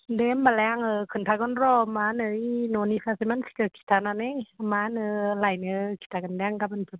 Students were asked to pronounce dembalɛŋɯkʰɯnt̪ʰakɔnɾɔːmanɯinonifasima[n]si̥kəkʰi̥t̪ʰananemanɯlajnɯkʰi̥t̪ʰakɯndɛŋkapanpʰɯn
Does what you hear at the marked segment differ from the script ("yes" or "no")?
no